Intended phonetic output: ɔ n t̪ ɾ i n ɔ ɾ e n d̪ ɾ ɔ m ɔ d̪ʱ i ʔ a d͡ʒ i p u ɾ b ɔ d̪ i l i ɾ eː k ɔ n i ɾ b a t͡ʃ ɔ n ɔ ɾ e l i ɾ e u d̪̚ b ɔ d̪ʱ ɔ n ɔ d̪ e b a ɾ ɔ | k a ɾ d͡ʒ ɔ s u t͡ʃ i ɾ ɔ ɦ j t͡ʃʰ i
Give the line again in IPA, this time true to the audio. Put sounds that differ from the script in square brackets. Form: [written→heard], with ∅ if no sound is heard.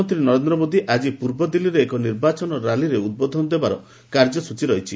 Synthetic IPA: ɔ n t̪ ɾ i n ɔ ɾ e n d̪ ɾ ɔ m [ɔ→o] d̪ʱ i ʔ a d͡ʒ i p u ɾ b ɔ d̪ i l i ɾ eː k ɔ n i ɾ b a t͡ʃ ɔ n ɔ ɾ [e→a] l i ɾ e u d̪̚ b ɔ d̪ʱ ɔ n ɔ d̪ e b a ɾ ɔ | k a ɾ d͡ʒ ɔ s u t͡ʃ i ɾ ɔ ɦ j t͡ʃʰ i